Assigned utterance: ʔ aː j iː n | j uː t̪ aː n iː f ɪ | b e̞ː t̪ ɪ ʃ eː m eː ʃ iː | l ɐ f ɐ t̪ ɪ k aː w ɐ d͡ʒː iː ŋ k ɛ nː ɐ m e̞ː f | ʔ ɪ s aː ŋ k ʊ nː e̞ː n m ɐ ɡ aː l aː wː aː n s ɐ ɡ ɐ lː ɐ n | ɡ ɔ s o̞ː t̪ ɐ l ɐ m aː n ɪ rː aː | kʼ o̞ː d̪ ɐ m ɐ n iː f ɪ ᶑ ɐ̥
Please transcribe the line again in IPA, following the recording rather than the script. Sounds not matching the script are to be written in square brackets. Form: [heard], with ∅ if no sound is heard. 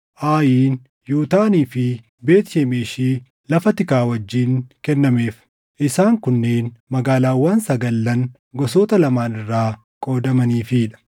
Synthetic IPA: ʔ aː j iː n | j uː t̪ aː n iː f ɪ | b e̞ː t̪ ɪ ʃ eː m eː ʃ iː | l ɐ f ɐ t̪ ɪ k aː w ɐ d͡ʒː iː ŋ k ɛ nː ɐ m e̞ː f | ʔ ɪ s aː ŋ k ʊ nː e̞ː n m ɐ ɡ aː l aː wː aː n s ɐ ɡ ɐ lː ɐ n | ɡ ɔ s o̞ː t̪ ɐ l ɐ m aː n ɪ rː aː | kʼ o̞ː d̪ ɐ m ɐ n iː f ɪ ᶑ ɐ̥